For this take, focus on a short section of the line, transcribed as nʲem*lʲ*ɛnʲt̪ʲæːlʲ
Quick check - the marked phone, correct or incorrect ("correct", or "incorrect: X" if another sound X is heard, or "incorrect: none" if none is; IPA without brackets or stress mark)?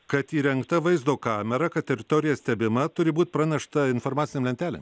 correct